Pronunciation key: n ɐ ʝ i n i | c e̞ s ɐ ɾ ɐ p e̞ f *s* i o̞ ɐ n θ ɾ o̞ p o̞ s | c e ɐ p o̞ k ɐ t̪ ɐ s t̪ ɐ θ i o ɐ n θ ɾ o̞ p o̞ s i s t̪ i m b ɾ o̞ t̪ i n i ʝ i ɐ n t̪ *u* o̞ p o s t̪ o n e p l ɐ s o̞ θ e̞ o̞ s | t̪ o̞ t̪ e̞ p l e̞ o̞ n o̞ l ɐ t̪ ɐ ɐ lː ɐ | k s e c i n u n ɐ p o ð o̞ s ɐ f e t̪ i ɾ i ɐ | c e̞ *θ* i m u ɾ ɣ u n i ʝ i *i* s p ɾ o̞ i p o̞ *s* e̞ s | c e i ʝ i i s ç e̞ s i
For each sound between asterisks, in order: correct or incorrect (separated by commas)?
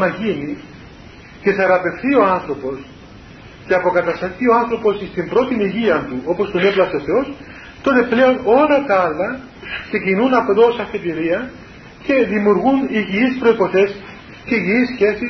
incorrect, correct, incorrect, correct, incorrect